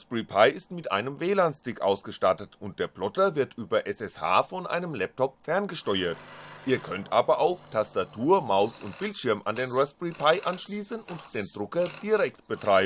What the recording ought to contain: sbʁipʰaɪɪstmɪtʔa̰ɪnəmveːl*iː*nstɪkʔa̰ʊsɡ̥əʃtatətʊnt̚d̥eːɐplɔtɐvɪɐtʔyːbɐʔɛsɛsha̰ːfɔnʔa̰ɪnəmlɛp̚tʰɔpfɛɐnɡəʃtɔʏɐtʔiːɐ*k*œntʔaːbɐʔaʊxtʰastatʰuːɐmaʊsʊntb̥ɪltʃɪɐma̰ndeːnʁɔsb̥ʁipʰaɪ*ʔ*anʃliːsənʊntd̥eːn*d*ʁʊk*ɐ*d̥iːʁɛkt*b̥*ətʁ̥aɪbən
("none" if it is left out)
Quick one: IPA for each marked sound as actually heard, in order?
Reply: aː, kʰ, ʔ, d, ɐ, b̥

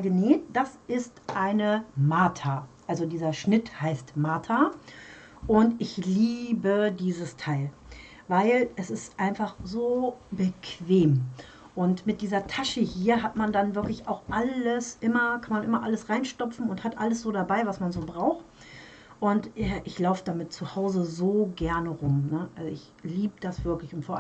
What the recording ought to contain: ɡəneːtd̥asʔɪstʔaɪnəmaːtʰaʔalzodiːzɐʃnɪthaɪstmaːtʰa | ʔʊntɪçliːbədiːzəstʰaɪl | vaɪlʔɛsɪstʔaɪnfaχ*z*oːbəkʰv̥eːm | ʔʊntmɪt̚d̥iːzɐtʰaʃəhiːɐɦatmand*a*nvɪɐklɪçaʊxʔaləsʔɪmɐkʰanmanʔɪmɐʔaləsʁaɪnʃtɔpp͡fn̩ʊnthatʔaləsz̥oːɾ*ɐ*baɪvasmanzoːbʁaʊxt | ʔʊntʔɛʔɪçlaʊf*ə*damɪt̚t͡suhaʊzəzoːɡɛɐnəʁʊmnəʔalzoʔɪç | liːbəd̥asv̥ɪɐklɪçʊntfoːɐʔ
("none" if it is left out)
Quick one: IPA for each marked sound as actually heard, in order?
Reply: z, a, a, ə

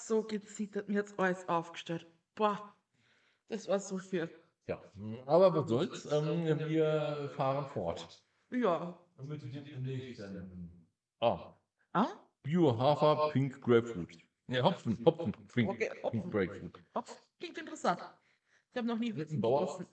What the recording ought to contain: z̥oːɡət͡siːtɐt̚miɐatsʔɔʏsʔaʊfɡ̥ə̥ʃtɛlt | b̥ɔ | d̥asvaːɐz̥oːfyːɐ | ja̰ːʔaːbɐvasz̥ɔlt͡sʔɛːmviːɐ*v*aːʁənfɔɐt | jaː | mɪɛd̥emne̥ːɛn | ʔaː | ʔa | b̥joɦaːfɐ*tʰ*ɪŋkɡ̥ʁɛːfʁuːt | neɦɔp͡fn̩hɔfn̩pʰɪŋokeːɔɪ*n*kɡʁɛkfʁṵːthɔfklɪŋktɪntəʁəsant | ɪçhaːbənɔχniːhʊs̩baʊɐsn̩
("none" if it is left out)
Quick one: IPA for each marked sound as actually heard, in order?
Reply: f, pʰ, ŋ

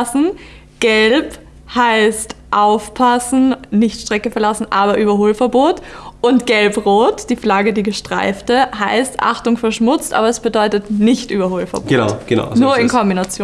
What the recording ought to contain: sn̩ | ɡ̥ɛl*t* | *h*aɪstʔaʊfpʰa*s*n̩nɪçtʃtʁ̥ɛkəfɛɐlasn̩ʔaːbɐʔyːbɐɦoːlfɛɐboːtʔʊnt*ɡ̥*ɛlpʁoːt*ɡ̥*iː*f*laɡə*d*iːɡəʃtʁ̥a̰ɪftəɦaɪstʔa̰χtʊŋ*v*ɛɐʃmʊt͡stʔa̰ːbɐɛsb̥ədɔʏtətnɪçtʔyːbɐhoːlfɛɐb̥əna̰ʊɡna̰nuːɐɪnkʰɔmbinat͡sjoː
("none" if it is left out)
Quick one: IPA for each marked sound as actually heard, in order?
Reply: p, h, s, ɡ̥, d̥, f, d, f

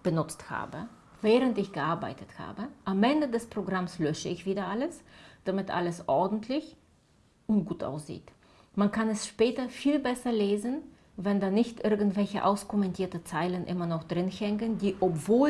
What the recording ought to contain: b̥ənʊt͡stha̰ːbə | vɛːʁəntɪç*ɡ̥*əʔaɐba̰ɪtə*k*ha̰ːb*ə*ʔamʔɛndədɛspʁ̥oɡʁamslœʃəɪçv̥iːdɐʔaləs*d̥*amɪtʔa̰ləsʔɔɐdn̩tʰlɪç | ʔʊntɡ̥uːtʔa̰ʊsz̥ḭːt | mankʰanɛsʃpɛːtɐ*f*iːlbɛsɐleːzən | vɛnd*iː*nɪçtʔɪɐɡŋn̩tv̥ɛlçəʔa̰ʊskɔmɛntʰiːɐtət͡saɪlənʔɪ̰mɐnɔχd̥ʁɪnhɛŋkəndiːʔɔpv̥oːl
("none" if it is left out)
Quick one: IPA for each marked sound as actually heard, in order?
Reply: ɡ̥, t, ə, d̥, f, aː

